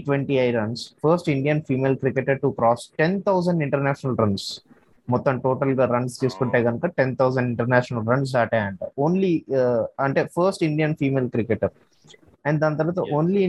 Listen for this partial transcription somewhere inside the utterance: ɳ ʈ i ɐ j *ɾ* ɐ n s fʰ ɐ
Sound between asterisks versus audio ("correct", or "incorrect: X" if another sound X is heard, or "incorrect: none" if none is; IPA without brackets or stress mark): correct